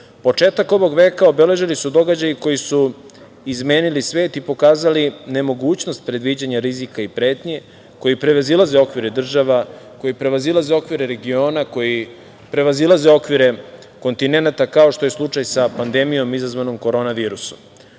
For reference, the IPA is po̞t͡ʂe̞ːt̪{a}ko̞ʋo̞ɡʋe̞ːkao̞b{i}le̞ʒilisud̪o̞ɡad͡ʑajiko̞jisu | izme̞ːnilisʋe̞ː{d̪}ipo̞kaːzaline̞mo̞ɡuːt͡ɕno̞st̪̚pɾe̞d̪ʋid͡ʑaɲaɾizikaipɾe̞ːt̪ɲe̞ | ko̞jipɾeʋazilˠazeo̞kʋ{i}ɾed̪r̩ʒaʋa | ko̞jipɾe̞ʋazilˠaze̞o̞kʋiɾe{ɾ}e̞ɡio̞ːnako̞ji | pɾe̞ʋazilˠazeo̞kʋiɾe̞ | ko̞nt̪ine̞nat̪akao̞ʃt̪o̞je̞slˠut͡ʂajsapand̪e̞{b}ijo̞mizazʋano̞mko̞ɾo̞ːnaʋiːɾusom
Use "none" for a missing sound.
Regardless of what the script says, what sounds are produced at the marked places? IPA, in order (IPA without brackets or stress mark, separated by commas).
a, e, t̪, i, ɾ, m